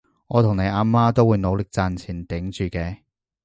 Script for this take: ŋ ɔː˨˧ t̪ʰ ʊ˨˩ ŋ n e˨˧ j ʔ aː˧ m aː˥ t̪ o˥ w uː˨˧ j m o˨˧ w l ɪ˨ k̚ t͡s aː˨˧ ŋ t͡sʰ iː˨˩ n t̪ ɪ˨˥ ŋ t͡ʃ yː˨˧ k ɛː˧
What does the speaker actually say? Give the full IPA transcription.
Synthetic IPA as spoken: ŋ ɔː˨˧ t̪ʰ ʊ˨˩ ŋ n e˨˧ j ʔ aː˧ m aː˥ t̪ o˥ w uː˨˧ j n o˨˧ w l ɪ˨ k̚ t͡s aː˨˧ n t͡sʰ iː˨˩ n t̪ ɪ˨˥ ŋ t͡ʃ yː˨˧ k ɛː˧